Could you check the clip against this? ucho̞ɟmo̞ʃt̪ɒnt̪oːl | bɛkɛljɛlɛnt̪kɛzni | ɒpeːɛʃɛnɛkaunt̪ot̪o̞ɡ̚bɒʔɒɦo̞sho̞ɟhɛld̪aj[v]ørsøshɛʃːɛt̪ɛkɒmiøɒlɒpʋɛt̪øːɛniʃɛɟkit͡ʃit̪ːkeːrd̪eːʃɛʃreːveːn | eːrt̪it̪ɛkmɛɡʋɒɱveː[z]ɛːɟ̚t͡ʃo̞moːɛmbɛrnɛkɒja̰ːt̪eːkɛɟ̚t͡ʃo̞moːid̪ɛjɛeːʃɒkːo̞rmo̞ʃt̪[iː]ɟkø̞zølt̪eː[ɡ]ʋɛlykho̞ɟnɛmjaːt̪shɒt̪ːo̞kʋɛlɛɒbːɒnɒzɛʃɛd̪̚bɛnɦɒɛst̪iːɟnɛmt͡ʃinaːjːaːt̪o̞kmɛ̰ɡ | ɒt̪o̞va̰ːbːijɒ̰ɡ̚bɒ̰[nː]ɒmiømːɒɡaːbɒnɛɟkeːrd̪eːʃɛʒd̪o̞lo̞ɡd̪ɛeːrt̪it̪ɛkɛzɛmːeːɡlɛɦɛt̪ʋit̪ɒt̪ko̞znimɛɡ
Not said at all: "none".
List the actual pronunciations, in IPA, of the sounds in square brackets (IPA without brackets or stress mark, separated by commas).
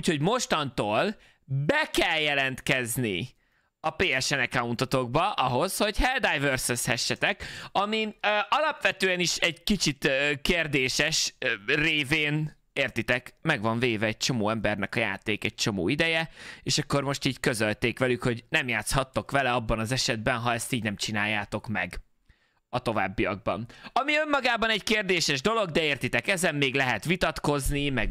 v, v, iː, k, n